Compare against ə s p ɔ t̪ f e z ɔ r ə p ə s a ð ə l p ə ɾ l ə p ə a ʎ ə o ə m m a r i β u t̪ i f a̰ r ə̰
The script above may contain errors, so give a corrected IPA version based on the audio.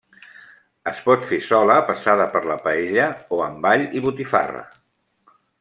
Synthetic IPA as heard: ə s p ɔ t̪ f e s ɔ l ə p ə s a ð ə p ə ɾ l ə p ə e ʎ ə o ə m b a ʎ i β u t̪ i f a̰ r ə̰